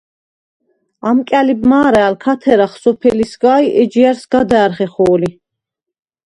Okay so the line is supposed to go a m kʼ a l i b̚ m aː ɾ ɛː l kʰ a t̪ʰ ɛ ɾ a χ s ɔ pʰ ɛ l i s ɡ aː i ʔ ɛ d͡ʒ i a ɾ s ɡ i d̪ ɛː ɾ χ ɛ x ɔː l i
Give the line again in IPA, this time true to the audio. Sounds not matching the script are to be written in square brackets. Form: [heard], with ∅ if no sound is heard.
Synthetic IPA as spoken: a m kʼ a l i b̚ m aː ɾ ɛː l kʰ a t̪ʰ ɛ ɾ a χ s ɔ pʰ ɛ l i s ɡ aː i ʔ ɛ d͡ʒ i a ɾ s ɡ [a] d̪ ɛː ɾ χ ɛ [χ] ɔː l i